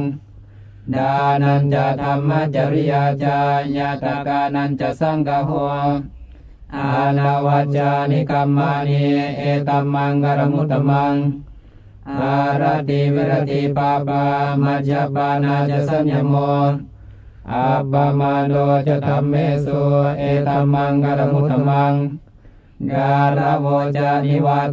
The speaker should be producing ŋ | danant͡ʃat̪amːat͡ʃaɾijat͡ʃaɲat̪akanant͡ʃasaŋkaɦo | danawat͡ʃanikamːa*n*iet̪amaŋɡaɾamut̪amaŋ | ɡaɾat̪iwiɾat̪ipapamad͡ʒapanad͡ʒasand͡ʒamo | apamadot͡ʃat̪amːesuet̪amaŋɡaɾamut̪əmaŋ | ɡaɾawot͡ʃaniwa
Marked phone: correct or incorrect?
correct